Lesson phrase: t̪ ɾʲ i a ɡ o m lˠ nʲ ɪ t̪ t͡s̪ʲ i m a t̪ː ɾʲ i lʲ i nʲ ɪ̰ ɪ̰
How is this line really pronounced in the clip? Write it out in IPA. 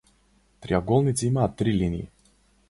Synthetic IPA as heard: t̪ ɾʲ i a ɡ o lˠ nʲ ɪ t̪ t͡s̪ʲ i m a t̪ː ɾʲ i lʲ i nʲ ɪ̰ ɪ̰